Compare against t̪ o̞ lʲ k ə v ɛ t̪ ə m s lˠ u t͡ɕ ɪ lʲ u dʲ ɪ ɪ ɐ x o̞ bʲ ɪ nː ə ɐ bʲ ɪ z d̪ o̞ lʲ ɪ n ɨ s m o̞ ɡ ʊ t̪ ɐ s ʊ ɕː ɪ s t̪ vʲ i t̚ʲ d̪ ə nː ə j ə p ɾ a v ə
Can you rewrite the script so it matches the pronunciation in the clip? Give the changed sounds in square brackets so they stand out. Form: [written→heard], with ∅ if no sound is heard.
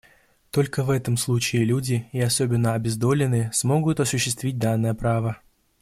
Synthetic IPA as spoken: t̪ o̞ lʲ k ə v ɛ t̪ ə m s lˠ u t͡ɕ [ɪ→ɪː] lʲ u dʲ ɪ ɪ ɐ [x→s] o̞ bʲ ɪ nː ə ɐ bʲ ɪ z d̪ o̞ lʲ ɪ n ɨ s m o̞ ɡ ʊ t̪ ɐ s ʊ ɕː ɪ s t̪ vʲ i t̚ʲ d̪ [ə→a] nː ə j ə p ɾ a v ə